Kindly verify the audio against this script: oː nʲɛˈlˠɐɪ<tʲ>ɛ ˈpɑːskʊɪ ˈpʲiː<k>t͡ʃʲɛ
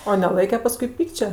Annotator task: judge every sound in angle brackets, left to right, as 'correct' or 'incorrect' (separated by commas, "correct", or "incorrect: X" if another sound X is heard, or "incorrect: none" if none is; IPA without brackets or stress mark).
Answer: incorrect: kʲ, correct